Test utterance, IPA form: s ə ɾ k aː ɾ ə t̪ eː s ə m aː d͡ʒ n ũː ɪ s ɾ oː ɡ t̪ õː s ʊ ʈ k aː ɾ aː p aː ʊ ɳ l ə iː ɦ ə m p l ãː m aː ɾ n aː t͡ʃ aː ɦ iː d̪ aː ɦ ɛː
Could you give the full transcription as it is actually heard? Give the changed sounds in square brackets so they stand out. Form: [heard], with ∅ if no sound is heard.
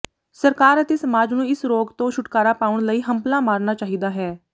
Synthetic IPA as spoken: s ə ɾ k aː ɾ ə t̪ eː s ə m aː d͡ʒ n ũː ɪ s ɾ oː ɡ t̪ õː [ʃ] ʊ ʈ k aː ɾ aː p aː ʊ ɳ l ə iː ɦ ə m p l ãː m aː ɾ n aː t͡ʃ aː ɦ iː d̪ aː ɦ ɛː

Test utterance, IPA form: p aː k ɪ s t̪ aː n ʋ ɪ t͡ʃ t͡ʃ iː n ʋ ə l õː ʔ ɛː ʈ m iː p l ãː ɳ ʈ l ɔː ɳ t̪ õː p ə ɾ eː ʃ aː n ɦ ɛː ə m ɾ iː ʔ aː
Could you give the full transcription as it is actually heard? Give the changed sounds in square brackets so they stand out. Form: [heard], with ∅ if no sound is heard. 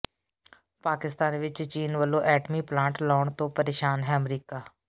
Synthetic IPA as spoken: p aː k ɪ s t̪ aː n ʋ ɪ t͡ʃ t͡ʃ iː n ʋ ə l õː ʔ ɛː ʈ m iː p l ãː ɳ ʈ l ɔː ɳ t̪ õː p ə ɾ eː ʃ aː n ɦ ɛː ə m ɾ iː [k] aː

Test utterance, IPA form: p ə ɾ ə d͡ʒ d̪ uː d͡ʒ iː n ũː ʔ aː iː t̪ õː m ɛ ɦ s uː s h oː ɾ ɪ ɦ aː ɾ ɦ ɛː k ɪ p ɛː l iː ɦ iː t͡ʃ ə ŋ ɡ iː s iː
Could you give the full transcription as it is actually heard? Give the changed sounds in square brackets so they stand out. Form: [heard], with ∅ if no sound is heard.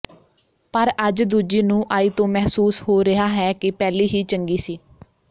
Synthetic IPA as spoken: p ə ɾ ə d͡ʒ d̪ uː d͡ʒ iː n ũː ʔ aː iː t̪ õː m ɛ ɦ s uː s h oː ɾ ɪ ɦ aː [∅] ɦ ɛː k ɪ p ɛː l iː ɦ iː t͡ʃ ə ŋ ɡ iː s iː

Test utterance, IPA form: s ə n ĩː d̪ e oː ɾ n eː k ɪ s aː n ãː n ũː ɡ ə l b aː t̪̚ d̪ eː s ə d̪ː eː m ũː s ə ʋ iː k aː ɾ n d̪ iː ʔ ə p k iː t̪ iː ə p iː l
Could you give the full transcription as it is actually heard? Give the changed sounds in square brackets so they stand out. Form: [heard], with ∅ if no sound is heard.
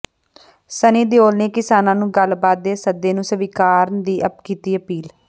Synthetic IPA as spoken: s ə n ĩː d̪ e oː [l] n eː k ɪ s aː n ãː n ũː ɡ ə l b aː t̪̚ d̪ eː s ə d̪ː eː [n] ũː s ə ʋ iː k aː ɾ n d̪ iː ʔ ə p k iː t̪ iː ə p iː l

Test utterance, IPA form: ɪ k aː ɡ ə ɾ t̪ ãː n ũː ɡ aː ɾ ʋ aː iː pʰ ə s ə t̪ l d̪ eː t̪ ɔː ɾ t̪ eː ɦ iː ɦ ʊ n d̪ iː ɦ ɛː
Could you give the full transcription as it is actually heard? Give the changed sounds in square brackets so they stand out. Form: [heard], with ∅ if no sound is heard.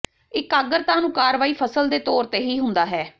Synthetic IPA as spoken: ɪ k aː ɡ ə ɾ t̪ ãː n ũː [k] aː ɾ ʋ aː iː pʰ ə s ə [∅] l d̪ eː t̪ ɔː ɾ t̪ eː ɦ iː ɦ ʊ n d̪ [aː] ɦ ɛː

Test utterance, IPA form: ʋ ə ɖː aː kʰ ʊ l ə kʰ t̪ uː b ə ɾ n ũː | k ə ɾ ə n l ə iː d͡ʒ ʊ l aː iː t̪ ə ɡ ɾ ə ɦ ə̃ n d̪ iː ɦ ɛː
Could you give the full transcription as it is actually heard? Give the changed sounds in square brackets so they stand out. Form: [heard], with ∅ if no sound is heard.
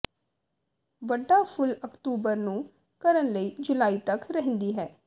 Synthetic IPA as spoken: ʋ ə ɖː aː [pʰ] ʊ l ə [k] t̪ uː b ə ɾ n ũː | k ə ɾ ə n l ə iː d͡ʒ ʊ l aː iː t̪ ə [k] ɾ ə ɦ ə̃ n d̪ iː ɦ ɛː

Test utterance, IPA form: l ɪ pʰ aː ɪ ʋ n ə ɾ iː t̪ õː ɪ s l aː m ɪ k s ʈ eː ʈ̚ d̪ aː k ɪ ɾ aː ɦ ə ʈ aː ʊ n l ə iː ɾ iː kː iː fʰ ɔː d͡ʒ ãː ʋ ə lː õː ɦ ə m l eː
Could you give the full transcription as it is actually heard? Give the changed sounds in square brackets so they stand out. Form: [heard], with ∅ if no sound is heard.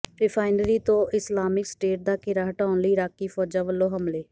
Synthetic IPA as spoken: [ɾ] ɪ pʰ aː ɪ [∅] n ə ɾ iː t̪ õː ɪ s l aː m ɪ k s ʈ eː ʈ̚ d̪ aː k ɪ ɾ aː ɦ ə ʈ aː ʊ n l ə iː ɾ [aː] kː iː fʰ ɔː d͡ʒ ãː ʋ ə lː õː ɦ ə m l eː

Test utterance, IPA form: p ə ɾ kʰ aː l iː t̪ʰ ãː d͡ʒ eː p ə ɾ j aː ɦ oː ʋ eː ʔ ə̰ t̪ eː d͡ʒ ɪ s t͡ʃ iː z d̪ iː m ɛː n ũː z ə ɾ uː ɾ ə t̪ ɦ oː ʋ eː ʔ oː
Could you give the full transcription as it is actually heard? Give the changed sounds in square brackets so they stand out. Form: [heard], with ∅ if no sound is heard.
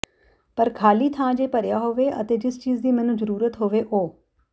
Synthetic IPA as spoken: p ə ɾ kʰ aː l iː t̪ʰ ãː d͡ʒ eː p ə ɾ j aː ɦ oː ʋ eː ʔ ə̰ t̪ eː d͡ʒ ɪ s t͡ʃ iː z d̪ iː m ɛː n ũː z ə ɾ uː ɾ ə t̪ ɦ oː ʋ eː ʔ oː

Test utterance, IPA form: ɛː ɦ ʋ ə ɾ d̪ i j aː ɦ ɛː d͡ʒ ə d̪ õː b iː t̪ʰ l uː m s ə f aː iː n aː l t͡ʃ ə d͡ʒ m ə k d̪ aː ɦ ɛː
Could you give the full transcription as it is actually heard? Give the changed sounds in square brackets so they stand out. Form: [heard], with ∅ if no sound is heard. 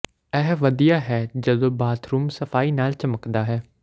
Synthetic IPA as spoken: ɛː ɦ ʋ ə [∅] d̪ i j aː ɦ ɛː d͡ʒ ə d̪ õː b [aː] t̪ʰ [ɾ] uː m s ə f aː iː n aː l t͡ʃ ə [∅] m ə k d̪ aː ɦ ɛː

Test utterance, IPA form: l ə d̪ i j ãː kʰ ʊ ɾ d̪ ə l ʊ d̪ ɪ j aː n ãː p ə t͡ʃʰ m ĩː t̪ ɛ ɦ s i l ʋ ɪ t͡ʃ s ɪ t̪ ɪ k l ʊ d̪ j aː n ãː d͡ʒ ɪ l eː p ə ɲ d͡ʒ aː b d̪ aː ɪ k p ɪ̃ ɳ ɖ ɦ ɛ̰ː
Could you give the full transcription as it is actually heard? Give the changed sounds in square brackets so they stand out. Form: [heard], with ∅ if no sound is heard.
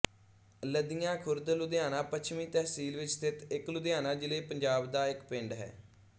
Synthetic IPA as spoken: l ə d̪ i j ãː kʰ ʊ ɾ d̪ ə l ʊ d̪ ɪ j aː n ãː p ə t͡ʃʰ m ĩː t̪ ɛ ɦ s [iː] l ʋ ɪ t͡ʃ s ɪ t̪ ɪ k l ʊ d̪ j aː n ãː d͡ʒ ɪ l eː p ə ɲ d͡ʒ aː b d̪ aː ɪ k p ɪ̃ ɳ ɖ ɦ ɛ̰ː

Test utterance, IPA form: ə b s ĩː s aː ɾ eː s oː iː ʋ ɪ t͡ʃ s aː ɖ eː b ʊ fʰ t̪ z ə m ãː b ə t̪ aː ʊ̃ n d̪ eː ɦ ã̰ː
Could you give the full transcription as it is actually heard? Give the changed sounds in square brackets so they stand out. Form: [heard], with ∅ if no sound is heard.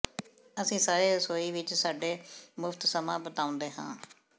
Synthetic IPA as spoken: ə [∅] s ĩː s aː ɾ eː s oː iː ʋ ɪ t͡ʃ s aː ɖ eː [m] ʊ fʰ t̪ [s] ə m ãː b ə t̪ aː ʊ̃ n d̪ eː ɦ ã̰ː

